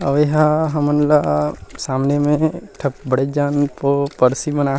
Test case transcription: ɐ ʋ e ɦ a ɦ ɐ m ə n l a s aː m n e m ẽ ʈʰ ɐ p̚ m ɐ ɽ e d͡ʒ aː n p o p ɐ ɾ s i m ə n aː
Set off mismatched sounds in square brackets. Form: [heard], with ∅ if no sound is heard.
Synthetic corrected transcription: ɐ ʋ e ɦ a ɦ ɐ m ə n l a s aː m n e m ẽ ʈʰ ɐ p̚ [b] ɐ ɽ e d͡ʒ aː n p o p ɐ ɾ s i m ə n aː